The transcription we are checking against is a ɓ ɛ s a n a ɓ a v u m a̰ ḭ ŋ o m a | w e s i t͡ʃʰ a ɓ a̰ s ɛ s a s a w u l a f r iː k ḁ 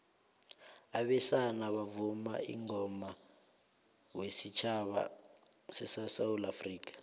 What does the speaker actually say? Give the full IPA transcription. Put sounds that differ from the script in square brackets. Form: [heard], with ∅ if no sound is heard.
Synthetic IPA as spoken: a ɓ ɛ s a n a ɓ a v u m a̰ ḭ ŋ [ɔ] m a | w e s i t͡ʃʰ a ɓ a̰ s ɛ s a s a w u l a f r iː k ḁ

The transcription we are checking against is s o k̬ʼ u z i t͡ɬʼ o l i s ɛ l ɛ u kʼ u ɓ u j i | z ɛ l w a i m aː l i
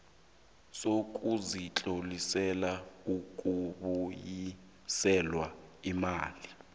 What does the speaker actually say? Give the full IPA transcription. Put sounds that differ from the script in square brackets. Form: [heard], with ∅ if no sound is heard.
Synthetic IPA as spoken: s o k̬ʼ u z i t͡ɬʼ o l i s ɛ l [a] u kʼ u ɓ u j i | [s] ɛ l w a i m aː l i

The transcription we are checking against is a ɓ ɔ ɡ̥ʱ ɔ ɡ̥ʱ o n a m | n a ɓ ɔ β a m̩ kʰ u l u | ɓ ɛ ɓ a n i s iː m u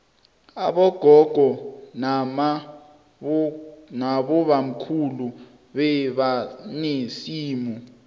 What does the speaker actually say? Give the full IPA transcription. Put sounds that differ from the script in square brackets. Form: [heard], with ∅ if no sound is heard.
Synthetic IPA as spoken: a ɓ ɔ ɡ̥ʱ ɔ ɡ̥ʱ [ɔ] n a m | n a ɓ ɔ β a m̩ kʰ u l u | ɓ ɛ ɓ a n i s iː m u

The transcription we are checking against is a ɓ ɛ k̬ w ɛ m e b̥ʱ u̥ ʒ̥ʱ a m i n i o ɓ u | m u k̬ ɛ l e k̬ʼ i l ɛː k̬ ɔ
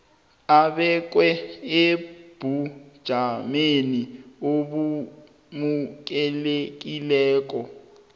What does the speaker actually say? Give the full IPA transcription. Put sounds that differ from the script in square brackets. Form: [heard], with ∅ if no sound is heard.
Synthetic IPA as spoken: a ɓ ɛ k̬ w ɛ [∅] e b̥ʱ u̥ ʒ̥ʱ a m [e] n i o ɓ u | m u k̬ ɛ l e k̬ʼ i l ɛː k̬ ɔ

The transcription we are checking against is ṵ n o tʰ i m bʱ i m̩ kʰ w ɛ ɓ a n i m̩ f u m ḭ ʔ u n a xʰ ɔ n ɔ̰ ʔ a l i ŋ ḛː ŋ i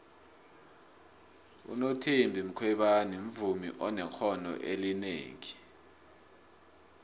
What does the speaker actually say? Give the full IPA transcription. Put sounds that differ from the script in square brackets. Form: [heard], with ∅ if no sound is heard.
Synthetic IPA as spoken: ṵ n o tʰ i m bʱ i m̩ kʰ w ɛ ɓ a n i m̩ [v] u m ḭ ʔ [ɔ] n [ɛ] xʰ ɔ n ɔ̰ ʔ [e] l i [n] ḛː ŋ i

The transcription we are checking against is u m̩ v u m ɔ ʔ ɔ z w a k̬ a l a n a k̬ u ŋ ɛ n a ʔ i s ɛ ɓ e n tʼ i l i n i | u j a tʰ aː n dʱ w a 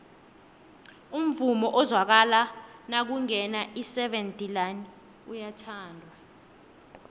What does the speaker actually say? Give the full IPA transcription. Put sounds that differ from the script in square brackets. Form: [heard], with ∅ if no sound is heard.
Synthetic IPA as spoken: u m̩ v u m ɔ ʔ ɔ z w a k̬ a l a n a k̬ u ŋ ɛ n a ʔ i s ɛ ɓ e n tʼ i l [a] n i | u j a tʰ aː n dʱ w a

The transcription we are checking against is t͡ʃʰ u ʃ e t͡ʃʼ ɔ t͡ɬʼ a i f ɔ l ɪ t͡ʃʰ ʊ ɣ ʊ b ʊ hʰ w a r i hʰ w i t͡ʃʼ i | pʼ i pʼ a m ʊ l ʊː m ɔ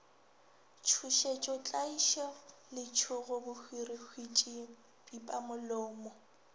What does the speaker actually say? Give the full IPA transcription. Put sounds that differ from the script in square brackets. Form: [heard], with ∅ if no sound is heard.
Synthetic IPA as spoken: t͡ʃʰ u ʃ e t͡ʃʼ ɔ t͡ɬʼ a i [ʃ] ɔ l ɪ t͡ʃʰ ʊ ɣ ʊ b ʊ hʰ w [i] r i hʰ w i t͡ʃʼ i | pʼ i pʼ a m ʊ l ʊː m ɔ

